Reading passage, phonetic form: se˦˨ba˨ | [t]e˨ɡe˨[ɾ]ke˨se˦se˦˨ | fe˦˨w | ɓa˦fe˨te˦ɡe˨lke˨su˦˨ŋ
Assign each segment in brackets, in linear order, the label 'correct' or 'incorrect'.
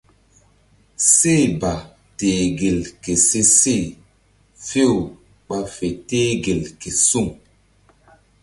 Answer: correct, incorrect: l

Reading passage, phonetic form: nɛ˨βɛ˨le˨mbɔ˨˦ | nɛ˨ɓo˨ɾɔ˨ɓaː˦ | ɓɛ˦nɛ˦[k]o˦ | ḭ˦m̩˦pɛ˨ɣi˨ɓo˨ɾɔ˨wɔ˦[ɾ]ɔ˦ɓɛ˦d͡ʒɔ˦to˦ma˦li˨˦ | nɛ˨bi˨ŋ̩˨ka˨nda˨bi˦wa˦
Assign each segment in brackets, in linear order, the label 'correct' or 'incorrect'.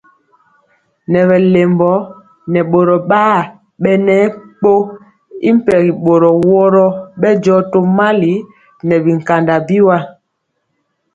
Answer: incorrect: k͡p, correct

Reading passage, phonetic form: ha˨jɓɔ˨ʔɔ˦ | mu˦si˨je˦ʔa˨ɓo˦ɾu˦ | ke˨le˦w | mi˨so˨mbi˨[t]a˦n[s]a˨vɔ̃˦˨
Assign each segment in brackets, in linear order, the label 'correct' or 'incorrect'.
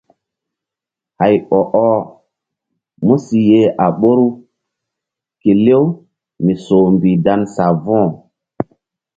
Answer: incorrect: d, correct

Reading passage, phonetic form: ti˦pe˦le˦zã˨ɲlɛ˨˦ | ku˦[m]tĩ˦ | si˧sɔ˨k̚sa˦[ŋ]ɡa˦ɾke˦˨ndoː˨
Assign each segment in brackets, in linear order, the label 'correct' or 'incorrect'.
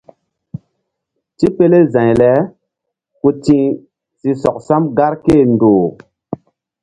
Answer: incorrect: none, incorrect: m

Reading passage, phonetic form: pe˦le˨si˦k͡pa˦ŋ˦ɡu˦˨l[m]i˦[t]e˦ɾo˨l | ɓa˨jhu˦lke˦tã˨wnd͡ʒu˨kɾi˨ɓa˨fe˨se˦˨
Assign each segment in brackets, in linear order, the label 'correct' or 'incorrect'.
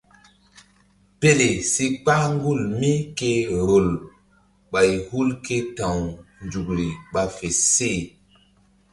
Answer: correct, incorrect: k

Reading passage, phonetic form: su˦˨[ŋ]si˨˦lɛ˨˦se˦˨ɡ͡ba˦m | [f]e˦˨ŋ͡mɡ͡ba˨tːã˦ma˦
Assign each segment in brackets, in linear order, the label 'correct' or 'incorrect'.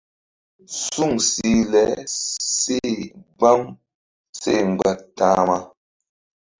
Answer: correct, incorrect: s

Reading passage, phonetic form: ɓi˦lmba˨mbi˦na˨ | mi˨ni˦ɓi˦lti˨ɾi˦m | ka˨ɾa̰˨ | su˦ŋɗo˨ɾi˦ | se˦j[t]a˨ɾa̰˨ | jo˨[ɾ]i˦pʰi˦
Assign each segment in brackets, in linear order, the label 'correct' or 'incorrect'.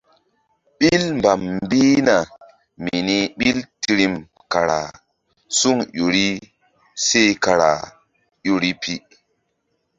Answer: incorrect: k, correct

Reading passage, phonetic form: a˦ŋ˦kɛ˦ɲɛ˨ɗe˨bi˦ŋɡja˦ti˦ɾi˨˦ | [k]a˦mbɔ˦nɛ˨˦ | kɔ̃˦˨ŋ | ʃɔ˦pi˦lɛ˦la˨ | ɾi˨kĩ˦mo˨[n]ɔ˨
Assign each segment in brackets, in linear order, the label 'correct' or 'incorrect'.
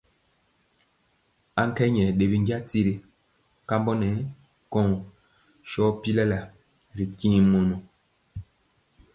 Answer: correct, correct

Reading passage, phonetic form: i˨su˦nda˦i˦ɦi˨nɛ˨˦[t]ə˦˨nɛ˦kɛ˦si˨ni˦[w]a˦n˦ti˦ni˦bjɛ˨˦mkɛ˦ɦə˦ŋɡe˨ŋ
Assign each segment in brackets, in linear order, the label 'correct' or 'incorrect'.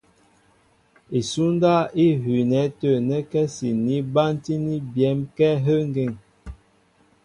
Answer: correct, incorrect: b

